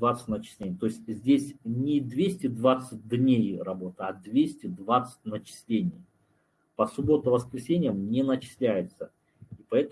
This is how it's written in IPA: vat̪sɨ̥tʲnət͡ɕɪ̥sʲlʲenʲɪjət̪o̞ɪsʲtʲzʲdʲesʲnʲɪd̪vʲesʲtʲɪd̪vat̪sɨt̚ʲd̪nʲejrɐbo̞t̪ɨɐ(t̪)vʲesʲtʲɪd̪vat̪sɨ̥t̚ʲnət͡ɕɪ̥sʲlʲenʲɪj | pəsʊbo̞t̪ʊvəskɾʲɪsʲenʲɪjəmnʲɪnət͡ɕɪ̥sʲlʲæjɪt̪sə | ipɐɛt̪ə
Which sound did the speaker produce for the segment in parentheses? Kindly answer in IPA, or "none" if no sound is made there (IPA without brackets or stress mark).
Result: d̪